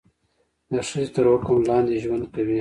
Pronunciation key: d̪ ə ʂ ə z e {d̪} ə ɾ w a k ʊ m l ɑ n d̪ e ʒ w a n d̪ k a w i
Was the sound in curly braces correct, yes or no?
no